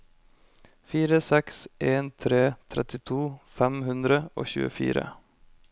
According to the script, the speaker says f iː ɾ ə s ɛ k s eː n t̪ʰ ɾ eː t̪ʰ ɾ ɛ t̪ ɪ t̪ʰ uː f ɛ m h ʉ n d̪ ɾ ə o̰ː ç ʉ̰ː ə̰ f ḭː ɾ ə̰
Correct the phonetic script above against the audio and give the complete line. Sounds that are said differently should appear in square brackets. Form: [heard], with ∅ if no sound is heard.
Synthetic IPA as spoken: f iː ɾ ə s ɛ k s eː n t̪ʰ ɾ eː t̪ʰ ɾ ɛ t̪ ɪ t̪ʰ uː f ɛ m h ʉ n d̪ ɾ ə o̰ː ç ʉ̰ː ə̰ f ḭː ɾ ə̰